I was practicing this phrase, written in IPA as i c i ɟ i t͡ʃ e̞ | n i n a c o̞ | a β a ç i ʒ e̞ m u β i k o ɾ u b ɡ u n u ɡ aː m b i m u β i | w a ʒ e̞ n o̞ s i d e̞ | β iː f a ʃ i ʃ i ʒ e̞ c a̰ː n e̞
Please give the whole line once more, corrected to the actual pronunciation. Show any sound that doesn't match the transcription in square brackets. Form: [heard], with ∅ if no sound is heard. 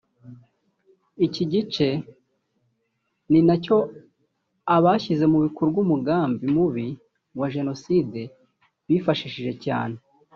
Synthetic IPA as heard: i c i ɟ i t͡ʃ e̞ | n i n a c o̞ | a β a ç i [z] e̞ m u β i k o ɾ u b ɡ u [m] u ɡ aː m b i m u β i | w a ʒ e̞ n o̞ s i d e̞ | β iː f a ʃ i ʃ i ʒ e̞ c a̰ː n e̞